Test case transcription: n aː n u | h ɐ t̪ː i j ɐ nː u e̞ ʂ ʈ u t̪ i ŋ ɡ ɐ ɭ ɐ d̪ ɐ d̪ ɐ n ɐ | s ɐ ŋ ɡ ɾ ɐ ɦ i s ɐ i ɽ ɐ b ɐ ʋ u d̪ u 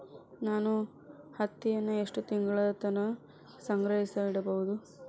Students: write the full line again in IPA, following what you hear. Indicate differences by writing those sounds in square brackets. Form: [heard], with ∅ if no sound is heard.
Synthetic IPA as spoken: n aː n u | h ɐ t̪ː i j ɐ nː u e̞ ʂ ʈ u t̪ i ŋ ɡ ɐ ɭ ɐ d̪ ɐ [t̪] ɐ n ɐ | s ɐ ŋ ɡ ɾ ɐ ɦ i s ɐ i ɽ ɐ b ɐ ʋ u d̪ u

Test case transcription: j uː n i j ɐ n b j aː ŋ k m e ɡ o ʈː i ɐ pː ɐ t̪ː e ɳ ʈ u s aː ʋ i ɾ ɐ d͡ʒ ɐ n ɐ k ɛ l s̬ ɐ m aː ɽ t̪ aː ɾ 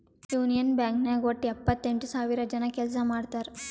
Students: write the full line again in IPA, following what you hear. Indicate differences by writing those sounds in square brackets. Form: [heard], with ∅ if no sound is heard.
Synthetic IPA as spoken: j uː n i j ɐ n b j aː ŋ k [n] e ɡ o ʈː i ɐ pː ɐ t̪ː e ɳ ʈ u s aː ʋ i ɾ ɐ d͡ʒ ɐ n ɐ k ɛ l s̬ ɐ m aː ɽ t̪ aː ɾ

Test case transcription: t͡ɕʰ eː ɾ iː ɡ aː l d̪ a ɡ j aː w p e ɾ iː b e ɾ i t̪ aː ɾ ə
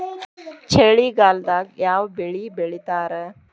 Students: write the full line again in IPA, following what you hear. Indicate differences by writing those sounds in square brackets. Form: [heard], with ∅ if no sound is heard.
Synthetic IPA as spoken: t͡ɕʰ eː [ɭ] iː ɡ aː l d̪ a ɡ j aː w [b] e [ɭ] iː b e [ɭ] i t̪ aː ɾ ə

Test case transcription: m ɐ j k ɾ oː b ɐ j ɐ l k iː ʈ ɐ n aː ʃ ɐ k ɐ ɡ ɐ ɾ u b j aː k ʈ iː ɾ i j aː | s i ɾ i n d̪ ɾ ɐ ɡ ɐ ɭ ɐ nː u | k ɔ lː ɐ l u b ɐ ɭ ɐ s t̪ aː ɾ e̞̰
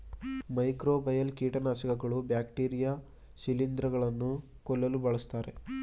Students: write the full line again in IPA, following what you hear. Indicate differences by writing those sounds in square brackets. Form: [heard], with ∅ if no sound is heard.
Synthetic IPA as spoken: m ɐ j k ɾ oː b ɐ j ɐ l k iː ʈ ɐ n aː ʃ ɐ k ɐ ɡ ɐ [ɭ] u b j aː k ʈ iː ɾ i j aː | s i [l] i n d̪ ɾ ɐ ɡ ɐ ɭ ɐ nː u | k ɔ lː ɐ l u b ɐ ɭ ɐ s t̪ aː ɾ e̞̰

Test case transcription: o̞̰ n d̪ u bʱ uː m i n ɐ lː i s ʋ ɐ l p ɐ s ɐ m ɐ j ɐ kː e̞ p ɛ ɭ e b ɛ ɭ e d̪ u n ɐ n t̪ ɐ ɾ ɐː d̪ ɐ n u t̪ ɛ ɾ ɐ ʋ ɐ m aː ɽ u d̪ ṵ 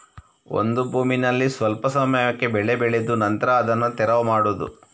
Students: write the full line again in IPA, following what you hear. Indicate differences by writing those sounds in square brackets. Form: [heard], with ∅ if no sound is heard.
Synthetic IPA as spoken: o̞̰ n d̪ u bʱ uː m i n ɐ lː i s ʋ ɐ l p ɐ s ɐ m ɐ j ɐ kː e̞ [b] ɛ ɭ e b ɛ ɭ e d̪ u n ɐ n t̪ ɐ ɾ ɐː d̪ ɐ [nː] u t̪ ɛ ɾ ɐ ʋ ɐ m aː ɽ u d̪ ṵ

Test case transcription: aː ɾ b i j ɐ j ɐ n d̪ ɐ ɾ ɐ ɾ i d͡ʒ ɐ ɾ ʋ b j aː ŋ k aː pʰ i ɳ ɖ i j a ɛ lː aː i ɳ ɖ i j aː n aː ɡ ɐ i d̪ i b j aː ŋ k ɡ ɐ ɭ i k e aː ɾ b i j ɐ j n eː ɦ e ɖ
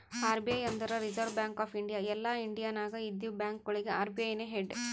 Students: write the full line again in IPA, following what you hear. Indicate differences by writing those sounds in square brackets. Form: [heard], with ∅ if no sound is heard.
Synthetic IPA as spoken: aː ɾ b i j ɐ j ɐ n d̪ ɐ ɾ ɐ ɾ i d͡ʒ ɐ ɾ ʋ b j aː ŋ k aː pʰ i ɳ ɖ i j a ɛ lː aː i ɳ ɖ i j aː n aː ɡ ɐ i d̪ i b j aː ŋ k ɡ ɐ ɭ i [ɡ] e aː ɾ b i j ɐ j n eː ɦ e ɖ

